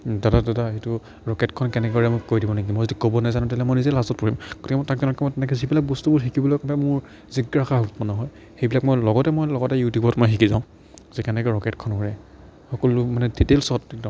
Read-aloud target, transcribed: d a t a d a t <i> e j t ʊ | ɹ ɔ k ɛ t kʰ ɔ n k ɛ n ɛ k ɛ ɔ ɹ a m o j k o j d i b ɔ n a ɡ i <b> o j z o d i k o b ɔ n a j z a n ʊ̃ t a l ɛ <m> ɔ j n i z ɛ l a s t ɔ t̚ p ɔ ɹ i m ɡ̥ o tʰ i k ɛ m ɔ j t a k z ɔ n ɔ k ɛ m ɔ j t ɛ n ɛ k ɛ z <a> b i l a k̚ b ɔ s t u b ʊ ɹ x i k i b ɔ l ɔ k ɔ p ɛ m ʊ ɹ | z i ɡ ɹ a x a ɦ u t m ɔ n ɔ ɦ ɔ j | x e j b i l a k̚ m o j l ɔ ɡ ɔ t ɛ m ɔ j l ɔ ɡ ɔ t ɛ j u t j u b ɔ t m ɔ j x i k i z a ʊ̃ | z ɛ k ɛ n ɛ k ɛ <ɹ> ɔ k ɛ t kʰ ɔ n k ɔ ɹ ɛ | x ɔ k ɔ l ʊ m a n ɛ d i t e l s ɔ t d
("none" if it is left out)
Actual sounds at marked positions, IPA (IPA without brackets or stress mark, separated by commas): a, m, m, i, ɹ